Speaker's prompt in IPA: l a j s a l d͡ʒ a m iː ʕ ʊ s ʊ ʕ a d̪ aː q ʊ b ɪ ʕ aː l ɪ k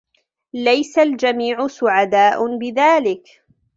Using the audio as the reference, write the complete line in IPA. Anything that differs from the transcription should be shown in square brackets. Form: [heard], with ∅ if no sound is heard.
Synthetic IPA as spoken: l a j s a l d͡ʒ a m iː ʕ ʊ s ʊ ʕ a d̪ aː [ʔ] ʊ b ɪ [ð] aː l ɪ k